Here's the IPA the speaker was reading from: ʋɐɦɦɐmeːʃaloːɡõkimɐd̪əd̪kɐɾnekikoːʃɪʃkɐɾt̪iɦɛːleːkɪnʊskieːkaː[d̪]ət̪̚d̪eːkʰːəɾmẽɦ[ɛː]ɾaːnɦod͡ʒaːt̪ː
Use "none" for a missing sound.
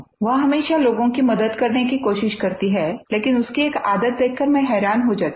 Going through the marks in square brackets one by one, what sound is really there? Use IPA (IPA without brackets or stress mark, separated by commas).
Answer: d̪, ɛː